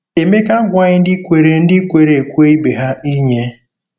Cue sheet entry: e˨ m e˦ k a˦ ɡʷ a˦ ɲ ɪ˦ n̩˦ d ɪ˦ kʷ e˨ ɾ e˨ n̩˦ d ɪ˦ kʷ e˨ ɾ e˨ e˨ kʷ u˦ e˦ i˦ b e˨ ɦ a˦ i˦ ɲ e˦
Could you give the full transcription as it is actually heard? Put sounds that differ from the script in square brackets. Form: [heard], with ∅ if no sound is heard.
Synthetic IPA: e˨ m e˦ k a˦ ɡʷ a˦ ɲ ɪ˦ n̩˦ d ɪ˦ kʷ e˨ ɾ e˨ n̩˦ d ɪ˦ kʷ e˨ ɾ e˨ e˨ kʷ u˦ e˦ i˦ b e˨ ɦ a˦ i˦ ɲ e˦